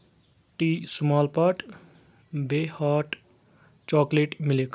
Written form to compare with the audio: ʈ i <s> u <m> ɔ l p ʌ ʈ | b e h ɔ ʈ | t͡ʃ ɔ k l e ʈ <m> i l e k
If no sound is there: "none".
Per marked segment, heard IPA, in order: s, m, m

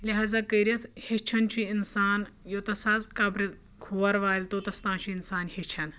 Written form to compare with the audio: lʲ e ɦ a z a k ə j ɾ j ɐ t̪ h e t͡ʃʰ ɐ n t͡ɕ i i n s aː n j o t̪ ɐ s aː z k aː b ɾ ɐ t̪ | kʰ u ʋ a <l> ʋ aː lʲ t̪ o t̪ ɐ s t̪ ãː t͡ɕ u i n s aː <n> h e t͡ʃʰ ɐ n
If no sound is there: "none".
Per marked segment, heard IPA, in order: ɾ, n

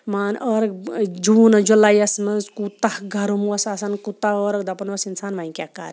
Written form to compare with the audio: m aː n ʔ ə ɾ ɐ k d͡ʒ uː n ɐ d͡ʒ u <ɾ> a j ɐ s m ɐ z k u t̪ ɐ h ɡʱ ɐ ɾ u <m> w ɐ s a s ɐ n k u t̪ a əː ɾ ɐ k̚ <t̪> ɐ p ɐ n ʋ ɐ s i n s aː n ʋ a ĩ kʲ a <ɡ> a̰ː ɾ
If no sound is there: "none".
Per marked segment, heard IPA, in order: l, m, d̪, k

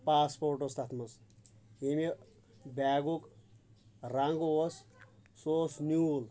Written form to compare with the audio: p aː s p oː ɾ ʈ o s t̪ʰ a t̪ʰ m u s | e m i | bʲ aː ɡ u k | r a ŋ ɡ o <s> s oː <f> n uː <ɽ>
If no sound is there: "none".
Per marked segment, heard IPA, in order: s, s, l

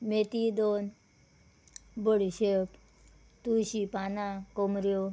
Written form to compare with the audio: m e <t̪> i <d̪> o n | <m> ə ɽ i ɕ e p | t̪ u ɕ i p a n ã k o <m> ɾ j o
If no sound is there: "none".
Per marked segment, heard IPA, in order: t̪, d̪, b, m

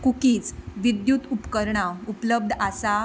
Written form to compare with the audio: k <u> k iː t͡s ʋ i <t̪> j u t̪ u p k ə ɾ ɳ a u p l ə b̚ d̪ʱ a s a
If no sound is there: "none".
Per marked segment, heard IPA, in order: u, d̪

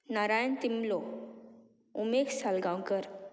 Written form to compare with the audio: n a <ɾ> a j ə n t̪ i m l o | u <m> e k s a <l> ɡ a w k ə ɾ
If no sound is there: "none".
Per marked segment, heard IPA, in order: ɾ, m, l

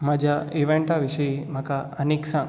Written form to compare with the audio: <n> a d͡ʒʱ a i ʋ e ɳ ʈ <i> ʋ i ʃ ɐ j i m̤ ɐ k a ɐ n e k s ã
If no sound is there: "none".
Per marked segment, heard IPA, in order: m, a

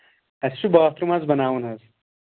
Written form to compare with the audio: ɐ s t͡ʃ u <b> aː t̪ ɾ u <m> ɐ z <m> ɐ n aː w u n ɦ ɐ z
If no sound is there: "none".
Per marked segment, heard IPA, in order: b, m, b

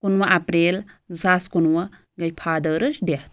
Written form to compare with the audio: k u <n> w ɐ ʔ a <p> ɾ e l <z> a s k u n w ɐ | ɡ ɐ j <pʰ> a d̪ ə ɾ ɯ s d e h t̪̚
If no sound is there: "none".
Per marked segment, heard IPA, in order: n, p, z, pʰ

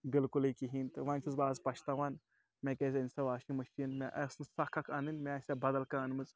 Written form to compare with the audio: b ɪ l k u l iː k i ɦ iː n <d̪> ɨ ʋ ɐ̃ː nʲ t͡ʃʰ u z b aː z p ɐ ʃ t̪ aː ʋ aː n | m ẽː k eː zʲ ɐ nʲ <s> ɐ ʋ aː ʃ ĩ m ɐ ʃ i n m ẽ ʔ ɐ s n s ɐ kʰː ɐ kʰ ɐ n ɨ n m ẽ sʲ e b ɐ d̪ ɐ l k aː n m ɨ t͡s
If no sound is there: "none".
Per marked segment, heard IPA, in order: t̪, s

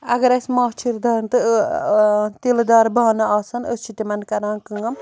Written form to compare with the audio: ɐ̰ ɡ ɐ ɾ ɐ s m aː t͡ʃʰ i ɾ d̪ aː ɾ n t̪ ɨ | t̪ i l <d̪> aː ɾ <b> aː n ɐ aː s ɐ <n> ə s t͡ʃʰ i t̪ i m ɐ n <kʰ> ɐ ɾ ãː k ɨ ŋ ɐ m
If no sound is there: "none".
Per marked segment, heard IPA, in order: d̪, b, n, k

